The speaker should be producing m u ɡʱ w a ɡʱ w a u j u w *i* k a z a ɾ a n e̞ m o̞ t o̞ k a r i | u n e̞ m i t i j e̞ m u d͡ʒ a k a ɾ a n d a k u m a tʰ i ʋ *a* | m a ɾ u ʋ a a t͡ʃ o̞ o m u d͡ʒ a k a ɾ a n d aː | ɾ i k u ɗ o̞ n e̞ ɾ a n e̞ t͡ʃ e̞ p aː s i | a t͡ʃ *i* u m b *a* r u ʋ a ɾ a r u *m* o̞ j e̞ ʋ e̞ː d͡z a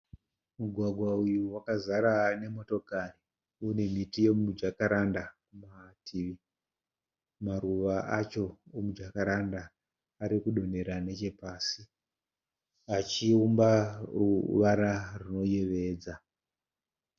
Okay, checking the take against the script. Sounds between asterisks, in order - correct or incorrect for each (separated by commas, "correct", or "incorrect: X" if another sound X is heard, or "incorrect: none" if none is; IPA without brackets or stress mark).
incorrect: a, incorrect: i, correct, correct, incorrect: n